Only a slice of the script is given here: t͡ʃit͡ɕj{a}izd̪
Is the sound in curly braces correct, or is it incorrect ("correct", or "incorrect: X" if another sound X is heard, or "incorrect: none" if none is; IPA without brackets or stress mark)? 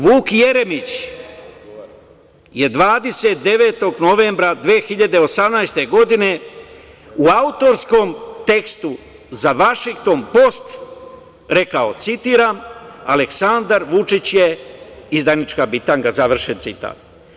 incorrect: e